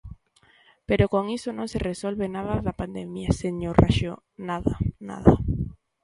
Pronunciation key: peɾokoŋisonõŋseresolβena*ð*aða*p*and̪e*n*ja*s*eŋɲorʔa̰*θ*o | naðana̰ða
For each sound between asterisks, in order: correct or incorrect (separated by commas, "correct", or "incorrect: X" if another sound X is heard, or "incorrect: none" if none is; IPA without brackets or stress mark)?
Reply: correct, correct, incorrect: m, correct, incorrect: ʃ